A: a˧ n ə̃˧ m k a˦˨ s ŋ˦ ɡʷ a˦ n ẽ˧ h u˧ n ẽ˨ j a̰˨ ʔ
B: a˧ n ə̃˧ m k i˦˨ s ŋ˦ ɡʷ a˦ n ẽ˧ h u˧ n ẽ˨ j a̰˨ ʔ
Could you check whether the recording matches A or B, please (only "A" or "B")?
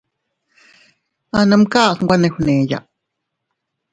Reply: A